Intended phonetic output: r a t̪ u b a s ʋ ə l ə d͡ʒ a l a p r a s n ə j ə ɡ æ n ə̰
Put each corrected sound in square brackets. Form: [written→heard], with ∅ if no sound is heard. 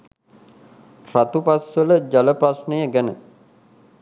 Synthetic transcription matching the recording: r a t̪ u [b→p] a s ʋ ə l ə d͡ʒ a l [a→ə] p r a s n ə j ə ɡ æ n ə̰